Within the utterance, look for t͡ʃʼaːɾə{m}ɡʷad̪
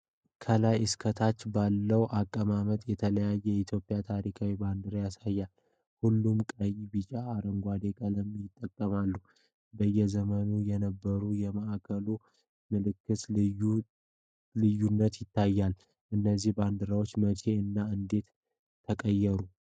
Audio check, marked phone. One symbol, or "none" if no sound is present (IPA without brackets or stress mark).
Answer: ŋ